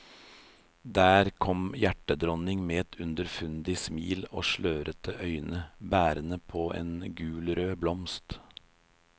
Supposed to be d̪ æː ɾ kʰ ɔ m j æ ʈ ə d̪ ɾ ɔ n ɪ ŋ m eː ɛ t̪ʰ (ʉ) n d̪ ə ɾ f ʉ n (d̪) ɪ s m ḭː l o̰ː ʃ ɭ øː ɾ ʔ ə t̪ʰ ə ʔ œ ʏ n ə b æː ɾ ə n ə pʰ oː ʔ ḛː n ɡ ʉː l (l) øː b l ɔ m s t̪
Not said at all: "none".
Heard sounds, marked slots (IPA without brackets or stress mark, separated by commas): ʉ, d̪, ɾ